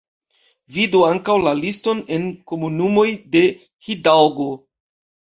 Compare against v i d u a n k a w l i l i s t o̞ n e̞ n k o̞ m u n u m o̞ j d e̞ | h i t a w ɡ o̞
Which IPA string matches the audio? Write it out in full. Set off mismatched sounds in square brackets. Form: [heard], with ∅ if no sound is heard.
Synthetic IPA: v i d u a [ŋ] k a w l [a] l i s t o̞ n e̞ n k o̞ m u n u m o̞ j d e̞ | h i [d] a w ɡ o̞